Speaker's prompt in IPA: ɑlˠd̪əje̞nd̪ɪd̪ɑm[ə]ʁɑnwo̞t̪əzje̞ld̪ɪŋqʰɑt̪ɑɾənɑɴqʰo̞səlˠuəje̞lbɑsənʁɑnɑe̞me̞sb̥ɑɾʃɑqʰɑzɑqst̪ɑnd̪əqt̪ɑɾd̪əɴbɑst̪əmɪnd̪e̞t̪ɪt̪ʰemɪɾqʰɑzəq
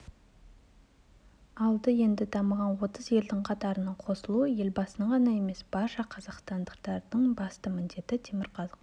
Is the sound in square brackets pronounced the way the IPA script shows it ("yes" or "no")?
yes